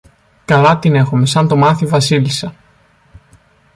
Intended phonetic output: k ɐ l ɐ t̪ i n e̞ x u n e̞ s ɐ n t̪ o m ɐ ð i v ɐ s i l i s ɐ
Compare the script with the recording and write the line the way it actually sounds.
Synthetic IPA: k ɐ l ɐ t̪ i n e̞ x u m e̞ s ɐ n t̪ o m ɐ θ i v ɐ s i l i s ɐ